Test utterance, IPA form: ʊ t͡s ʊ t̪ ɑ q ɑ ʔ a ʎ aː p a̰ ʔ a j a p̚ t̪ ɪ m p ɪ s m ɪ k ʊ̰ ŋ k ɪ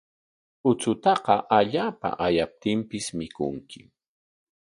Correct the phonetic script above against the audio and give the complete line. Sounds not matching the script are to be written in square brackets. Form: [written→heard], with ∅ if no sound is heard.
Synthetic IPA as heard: ʊ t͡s ʊ t̪ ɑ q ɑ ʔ a ʎ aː p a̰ ʔ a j a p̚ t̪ ɪ m p ɪ s m ɪ k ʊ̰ ŋ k ɪ